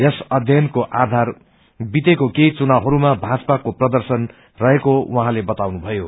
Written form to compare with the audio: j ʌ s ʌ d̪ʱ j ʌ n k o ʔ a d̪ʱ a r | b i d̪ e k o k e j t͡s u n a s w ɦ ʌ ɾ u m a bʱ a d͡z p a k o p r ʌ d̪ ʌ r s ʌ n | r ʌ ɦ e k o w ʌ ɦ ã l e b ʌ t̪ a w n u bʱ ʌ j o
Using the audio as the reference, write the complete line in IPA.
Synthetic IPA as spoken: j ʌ s ʌ d̪ʱ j ʌ n k o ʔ a d̪ʱ a r | b i t̪ e k o k e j t͡s u n a w ɦ ʌ ɾ u m a bʱ a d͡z p a k o p r ʌ d̪ ʌ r s ʌ n | r ʌ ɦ e k o w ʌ ɦ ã l e b ʌ t̪ a w n u bʱ ʌ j o